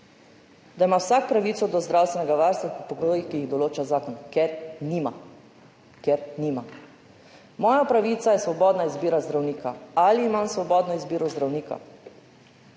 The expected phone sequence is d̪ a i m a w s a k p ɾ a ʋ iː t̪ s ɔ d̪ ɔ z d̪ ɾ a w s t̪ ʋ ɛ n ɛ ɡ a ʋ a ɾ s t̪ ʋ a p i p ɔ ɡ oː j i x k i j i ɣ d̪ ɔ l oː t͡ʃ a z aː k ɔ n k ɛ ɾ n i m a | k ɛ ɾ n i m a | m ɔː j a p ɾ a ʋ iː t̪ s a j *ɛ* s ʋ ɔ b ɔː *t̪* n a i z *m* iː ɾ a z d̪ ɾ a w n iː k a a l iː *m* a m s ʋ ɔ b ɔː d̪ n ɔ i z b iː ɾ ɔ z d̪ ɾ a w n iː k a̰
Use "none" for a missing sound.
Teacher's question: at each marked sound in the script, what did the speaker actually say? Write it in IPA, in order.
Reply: ɛ, d̪, b, m

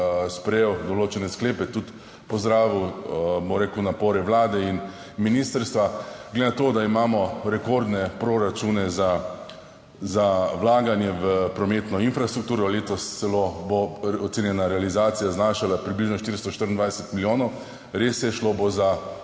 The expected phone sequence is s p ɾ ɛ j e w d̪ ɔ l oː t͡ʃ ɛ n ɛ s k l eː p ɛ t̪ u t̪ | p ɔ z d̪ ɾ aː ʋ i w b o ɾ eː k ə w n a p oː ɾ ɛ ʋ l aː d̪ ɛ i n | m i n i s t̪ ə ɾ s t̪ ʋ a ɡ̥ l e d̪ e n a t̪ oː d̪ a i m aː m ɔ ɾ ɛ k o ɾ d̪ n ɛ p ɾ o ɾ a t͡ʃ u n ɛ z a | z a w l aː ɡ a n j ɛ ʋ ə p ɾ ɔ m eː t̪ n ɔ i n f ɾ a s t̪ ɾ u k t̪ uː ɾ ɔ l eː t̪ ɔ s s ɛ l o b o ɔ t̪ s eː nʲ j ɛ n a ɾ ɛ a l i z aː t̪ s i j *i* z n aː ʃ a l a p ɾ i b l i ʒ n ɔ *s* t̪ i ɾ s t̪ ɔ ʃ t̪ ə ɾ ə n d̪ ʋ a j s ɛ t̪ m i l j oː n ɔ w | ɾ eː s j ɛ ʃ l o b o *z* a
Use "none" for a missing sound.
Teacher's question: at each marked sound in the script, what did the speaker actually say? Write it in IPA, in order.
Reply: a, ʃ, z

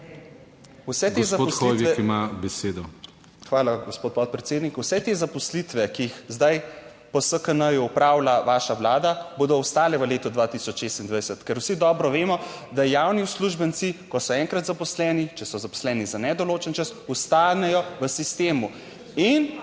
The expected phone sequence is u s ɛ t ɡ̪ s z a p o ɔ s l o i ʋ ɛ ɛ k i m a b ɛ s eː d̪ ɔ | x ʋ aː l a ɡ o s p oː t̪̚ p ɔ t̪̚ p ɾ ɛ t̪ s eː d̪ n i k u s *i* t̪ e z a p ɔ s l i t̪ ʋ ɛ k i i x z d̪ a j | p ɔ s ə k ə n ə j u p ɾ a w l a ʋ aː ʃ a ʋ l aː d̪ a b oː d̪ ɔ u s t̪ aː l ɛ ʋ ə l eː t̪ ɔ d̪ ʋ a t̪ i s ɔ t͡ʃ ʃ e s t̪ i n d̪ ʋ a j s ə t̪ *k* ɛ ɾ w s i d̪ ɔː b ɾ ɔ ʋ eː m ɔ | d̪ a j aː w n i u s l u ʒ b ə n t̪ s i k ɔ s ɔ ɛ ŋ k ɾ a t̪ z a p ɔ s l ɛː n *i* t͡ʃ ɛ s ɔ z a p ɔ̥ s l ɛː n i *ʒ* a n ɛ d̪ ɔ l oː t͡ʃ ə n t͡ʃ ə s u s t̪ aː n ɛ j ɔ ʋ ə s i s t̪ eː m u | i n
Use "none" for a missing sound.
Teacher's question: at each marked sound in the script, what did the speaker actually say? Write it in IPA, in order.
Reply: ɛ, k, i, z

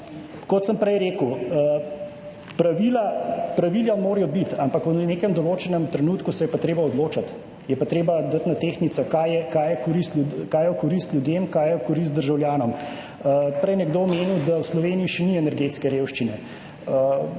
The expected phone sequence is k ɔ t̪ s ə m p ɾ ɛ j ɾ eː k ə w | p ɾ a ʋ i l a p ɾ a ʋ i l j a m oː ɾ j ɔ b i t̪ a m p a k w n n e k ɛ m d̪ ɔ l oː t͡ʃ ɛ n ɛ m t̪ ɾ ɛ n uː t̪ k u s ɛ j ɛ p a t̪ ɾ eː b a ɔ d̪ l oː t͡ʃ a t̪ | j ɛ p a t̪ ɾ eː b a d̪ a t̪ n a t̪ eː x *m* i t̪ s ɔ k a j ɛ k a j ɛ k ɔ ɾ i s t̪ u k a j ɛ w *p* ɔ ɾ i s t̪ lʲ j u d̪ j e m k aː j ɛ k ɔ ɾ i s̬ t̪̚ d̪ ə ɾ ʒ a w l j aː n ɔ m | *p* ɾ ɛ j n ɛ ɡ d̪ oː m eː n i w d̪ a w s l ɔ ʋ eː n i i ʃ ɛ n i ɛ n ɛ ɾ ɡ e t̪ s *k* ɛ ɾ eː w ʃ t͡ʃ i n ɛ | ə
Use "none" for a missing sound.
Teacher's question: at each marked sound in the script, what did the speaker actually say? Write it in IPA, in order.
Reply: n, k, p, k

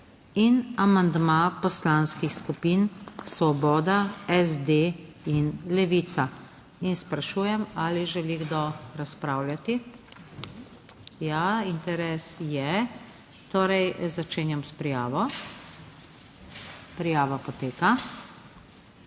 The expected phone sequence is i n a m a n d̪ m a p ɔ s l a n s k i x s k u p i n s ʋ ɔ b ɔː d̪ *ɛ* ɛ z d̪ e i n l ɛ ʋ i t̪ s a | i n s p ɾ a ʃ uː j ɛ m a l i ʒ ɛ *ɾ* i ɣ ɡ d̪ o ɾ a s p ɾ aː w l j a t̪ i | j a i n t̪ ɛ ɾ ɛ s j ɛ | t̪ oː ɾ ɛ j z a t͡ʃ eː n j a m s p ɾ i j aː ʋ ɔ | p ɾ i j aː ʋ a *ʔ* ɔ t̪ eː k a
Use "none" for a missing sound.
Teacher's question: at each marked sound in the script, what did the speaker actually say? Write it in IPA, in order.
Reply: a, l, p

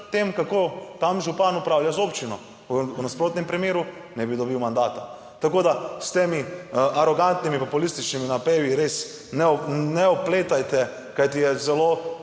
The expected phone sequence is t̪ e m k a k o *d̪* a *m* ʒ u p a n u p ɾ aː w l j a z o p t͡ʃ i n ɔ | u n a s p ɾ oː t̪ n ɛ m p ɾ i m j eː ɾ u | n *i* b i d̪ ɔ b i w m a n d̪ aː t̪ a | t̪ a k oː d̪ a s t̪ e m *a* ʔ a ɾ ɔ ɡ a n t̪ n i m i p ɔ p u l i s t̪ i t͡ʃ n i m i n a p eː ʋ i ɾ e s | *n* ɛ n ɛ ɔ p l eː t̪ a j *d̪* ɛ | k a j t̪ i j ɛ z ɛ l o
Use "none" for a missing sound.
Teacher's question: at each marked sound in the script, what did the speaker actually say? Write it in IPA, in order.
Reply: t̪, m, ɛ, i, n, t̪

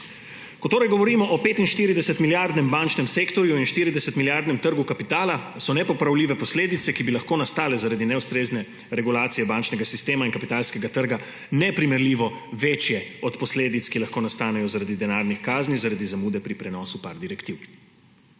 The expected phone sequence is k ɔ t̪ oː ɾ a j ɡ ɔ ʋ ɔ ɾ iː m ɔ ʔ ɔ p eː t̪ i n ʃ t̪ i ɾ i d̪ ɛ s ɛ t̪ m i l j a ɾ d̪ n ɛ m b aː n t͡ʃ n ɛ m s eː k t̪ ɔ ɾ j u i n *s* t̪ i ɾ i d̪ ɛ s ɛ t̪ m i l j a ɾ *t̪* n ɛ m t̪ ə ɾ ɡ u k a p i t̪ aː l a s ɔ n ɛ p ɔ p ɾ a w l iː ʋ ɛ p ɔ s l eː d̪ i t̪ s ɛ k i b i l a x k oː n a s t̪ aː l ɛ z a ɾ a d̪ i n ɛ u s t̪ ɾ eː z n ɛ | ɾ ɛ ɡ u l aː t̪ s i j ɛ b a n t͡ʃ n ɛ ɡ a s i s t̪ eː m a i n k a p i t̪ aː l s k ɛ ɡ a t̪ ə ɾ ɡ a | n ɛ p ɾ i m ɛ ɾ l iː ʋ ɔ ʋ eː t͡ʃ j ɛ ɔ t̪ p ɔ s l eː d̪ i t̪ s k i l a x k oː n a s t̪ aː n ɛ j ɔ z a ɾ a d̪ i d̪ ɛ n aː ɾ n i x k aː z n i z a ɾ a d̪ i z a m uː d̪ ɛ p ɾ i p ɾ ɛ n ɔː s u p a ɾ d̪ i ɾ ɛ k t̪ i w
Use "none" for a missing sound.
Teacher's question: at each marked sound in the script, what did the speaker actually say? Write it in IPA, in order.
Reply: ʃ, d̪

